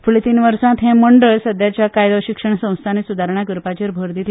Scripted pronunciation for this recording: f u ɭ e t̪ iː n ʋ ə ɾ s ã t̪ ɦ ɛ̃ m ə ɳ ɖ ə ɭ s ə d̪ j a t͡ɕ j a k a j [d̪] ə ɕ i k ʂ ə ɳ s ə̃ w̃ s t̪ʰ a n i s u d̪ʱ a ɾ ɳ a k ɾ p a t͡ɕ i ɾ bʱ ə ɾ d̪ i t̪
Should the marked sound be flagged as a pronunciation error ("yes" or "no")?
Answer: no